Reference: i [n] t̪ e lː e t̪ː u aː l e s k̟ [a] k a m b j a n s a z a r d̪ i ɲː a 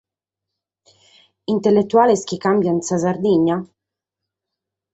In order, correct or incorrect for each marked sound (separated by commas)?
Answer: correct, incorrect